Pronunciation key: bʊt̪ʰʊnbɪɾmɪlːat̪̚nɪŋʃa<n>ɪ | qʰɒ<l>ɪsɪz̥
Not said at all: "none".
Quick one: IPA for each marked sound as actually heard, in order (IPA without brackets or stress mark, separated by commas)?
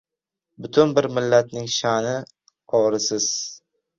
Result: n, ɾ